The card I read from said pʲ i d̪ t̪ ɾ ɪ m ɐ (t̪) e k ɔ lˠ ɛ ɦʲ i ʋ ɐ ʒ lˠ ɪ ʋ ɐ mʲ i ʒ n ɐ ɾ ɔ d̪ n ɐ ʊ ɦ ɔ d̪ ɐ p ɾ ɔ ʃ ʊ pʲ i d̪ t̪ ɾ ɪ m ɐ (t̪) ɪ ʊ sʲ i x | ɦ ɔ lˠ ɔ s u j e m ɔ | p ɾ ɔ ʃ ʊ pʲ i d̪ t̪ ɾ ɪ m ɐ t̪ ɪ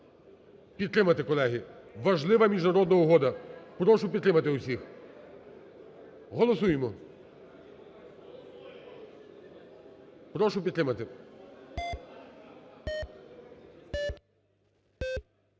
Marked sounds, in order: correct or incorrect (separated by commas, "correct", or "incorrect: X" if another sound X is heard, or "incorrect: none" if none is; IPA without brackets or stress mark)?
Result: correct, correct